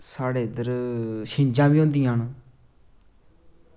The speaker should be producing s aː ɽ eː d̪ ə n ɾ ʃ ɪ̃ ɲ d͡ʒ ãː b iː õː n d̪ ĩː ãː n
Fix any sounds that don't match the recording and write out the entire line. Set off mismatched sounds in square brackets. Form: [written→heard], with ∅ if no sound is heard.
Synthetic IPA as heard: s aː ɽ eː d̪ ə [n→∅] ɾ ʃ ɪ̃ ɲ d͡ʒ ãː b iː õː n d̪ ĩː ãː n